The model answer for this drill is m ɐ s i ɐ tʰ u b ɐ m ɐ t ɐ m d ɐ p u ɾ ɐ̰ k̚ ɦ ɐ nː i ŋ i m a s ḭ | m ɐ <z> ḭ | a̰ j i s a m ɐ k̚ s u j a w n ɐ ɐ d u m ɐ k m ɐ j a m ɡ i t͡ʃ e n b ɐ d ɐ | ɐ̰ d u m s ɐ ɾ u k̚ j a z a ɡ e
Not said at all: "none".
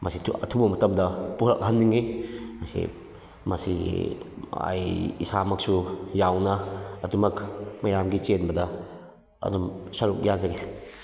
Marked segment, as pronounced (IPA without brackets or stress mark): s